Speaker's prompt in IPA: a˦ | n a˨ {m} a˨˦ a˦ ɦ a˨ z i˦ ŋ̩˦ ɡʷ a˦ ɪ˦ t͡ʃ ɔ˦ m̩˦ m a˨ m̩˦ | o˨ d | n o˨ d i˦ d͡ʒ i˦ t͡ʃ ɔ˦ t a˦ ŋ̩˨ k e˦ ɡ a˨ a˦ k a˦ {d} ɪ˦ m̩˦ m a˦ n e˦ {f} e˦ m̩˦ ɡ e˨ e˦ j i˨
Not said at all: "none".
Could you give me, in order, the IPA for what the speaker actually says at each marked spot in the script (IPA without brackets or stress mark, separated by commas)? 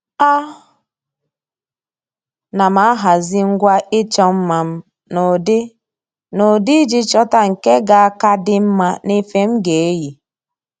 m, d, f